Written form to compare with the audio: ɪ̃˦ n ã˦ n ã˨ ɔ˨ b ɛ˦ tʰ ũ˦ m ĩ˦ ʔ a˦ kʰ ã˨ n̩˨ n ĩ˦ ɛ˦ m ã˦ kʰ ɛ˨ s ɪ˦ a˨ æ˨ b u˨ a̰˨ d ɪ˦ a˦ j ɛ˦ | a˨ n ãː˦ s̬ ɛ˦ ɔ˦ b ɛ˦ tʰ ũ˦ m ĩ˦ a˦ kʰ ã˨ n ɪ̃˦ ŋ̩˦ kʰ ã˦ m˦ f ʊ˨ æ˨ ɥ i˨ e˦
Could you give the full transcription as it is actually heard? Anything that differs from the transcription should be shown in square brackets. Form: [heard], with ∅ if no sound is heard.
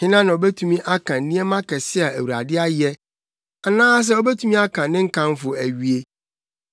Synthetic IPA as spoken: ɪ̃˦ n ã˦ n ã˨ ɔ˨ b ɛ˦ tʰ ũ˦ m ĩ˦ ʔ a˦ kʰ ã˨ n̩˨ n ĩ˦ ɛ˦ m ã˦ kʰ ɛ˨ s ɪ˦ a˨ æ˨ [w] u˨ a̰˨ d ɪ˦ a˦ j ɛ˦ | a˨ n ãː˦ s̬ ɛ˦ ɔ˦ b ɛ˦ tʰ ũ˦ m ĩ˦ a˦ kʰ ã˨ n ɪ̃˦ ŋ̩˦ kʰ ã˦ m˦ f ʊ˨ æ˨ ɥ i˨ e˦